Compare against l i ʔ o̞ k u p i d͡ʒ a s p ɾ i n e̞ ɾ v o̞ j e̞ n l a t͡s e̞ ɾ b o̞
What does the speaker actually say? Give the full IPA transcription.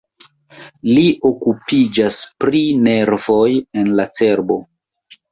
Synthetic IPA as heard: l i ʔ o̞ k u p i d͡ʒ a s p ɾ i n e̞ ɾ v o̞ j e̞ n l a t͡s e̞ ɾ b o̞